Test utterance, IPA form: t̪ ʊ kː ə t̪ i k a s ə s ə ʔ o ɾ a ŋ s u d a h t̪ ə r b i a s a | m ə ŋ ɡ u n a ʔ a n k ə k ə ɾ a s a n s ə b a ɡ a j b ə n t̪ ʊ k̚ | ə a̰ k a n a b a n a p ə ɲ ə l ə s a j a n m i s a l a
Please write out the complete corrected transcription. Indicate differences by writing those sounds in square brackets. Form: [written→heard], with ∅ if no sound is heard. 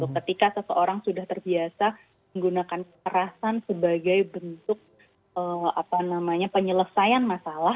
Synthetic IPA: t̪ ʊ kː ə t̪ i k a s ə s ə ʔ o ɾ a ŋ s u d a h t̪ ə r b i a s a | m ə ŋ ɡ u n a [ʔ→k] a n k ə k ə ɾ a s a n s ə b a ɡ a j b ə n t̪ ʊ k̚ | ə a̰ [k→p] a n a [b→m] a [n→ɲ] a p ə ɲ ə l ə s a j a n m [i→a] s a l a